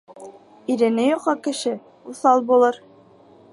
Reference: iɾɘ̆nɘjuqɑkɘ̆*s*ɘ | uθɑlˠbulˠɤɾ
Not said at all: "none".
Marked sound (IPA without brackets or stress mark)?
ʃ